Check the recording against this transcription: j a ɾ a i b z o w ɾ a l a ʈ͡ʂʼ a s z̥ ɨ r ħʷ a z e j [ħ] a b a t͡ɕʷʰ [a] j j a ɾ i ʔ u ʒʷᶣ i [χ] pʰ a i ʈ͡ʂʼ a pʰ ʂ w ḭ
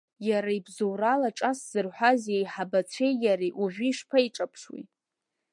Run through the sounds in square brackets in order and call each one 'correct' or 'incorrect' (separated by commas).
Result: correct, incorrect, incorrect